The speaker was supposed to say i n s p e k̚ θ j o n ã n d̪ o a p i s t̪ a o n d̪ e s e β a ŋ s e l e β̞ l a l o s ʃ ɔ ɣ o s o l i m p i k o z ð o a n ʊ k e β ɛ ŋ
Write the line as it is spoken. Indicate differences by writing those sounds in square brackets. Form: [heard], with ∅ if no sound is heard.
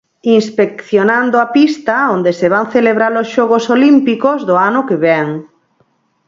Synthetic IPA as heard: i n s p e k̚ θ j o n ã n d̪ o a p i s t̪ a o n d̪ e s e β a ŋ [θ] e l e β̞ [ɾ] a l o s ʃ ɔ ɣ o s o l i m p i k o z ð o a n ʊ k e β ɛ ŋ